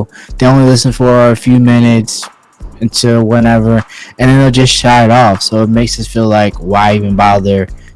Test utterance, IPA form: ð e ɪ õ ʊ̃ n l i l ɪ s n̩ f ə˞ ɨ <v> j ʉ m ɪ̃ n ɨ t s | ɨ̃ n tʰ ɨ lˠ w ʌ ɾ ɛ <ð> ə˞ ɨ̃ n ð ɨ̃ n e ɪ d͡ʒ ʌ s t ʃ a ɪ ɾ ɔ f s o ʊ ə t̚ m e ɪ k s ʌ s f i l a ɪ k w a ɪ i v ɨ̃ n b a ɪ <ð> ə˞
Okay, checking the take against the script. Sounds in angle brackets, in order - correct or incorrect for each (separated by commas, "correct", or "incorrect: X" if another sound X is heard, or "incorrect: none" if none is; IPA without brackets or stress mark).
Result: incorrect: f, incorrect: v, correct